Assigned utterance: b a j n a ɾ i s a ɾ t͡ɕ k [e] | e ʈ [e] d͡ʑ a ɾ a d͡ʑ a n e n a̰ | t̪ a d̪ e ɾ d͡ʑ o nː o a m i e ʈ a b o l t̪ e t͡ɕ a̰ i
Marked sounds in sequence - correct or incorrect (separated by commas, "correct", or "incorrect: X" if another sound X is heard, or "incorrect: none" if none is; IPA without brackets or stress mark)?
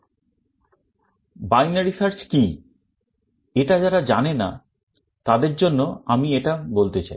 incorrect: i, incorrect: a